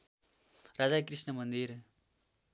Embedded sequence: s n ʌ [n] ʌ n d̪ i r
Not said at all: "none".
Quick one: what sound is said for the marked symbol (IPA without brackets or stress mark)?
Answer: m